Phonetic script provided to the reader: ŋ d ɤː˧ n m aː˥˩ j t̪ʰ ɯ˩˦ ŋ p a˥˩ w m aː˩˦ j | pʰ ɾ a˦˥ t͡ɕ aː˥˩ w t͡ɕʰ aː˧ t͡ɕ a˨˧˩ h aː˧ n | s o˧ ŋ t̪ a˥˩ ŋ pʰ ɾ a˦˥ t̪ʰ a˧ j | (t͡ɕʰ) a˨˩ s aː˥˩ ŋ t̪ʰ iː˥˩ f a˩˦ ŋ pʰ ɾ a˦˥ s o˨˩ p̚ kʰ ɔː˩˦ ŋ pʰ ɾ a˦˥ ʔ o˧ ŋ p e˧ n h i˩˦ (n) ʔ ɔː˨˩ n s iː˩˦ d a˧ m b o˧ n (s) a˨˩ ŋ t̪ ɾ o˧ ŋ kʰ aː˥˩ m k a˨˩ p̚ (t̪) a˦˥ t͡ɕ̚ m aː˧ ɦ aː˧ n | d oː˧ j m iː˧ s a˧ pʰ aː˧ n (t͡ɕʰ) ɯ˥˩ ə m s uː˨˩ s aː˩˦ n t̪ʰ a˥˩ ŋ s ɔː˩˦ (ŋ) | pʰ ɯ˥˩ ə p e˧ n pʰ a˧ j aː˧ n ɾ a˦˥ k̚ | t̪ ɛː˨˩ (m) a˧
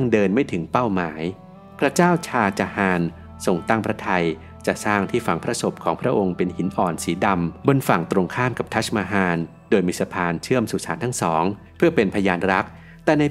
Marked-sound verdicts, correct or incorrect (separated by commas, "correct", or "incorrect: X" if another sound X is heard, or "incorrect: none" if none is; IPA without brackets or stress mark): incorrect: t͡ɕ, correct, incorrect: f, incorrect: t̪ʰ, correct, correct, incorrect: n